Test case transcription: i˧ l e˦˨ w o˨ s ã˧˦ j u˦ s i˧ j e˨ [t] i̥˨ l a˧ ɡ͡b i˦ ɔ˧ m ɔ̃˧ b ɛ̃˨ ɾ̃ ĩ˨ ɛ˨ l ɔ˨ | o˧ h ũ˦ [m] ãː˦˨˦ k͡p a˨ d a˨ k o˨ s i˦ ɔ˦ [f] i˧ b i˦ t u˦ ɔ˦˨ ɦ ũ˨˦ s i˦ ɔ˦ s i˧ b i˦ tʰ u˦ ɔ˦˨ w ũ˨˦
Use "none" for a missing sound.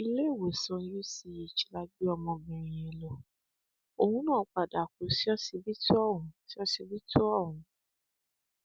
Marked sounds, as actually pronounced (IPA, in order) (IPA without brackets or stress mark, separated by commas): t͡ʃ, n, s